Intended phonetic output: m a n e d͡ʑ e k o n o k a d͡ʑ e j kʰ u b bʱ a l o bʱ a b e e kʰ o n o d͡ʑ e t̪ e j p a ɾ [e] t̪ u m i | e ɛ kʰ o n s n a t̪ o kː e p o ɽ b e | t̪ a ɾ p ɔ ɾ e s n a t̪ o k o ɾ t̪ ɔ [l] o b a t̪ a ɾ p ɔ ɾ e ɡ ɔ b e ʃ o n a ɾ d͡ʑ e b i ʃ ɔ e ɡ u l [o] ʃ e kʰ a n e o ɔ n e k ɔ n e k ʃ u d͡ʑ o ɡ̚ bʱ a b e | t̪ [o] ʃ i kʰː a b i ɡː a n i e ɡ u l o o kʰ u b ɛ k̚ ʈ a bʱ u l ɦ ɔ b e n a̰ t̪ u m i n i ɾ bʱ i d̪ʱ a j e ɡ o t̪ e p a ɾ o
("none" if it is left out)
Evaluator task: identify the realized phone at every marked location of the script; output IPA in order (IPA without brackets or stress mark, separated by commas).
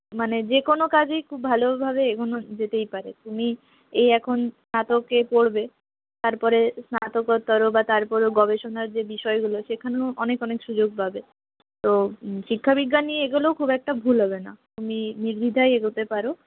e, ɾ, o, o